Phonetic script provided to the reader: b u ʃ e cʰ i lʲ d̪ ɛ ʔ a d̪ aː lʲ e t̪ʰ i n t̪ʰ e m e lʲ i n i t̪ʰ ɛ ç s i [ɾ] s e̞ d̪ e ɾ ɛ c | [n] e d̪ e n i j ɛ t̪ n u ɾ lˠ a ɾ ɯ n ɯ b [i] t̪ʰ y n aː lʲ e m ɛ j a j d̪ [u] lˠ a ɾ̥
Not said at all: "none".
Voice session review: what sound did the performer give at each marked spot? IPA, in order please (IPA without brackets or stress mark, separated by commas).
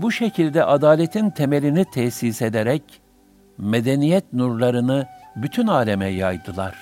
none, m, y, ɯ